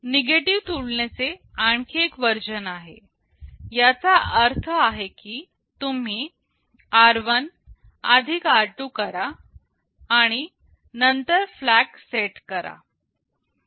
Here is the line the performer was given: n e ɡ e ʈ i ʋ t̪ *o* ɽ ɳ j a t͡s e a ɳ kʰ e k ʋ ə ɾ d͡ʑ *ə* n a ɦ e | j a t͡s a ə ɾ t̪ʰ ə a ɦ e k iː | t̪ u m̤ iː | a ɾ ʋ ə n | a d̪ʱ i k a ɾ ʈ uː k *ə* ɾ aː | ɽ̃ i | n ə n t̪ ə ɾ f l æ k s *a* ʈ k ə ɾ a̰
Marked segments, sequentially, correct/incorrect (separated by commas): incorrect, correct, correct, incorrect